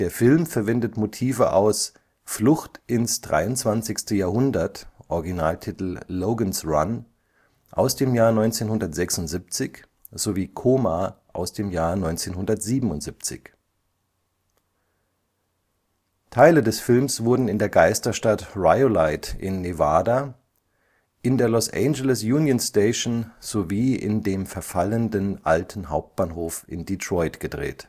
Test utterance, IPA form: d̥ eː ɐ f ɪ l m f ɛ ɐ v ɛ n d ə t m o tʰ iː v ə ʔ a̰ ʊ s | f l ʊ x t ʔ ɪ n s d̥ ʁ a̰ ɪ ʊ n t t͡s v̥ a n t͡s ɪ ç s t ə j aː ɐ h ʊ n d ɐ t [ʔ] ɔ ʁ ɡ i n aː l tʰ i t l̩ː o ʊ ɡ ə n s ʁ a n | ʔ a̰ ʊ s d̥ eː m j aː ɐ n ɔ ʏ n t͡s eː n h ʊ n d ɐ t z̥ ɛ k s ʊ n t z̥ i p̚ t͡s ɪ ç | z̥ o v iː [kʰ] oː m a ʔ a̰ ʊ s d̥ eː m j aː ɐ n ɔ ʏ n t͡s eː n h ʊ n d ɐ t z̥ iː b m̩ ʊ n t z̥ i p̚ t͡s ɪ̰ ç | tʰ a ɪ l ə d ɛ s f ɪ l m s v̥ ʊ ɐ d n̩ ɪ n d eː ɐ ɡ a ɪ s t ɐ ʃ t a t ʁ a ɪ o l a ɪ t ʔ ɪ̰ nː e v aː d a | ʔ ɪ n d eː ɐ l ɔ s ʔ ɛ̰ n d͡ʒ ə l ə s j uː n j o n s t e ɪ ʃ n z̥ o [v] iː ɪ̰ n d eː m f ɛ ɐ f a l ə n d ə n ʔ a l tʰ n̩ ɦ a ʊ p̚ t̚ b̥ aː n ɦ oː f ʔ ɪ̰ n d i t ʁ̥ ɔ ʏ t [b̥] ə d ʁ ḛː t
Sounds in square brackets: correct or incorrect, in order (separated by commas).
correct, correct, correct, incorrect